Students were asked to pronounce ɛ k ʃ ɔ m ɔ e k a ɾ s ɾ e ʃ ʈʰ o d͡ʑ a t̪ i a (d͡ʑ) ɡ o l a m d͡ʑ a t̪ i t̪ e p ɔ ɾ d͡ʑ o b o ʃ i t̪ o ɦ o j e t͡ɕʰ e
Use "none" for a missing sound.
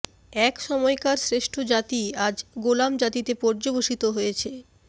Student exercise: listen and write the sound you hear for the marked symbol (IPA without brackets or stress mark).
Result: d͡ʑ